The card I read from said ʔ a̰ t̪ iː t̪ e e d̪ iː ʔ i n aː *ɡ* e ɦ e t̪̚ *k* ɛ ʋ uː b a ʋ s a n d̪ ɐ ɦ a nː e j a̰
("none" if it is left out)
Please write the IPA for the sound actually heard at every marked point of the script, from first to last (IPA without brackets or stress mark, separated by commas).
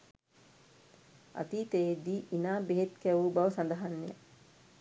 b, k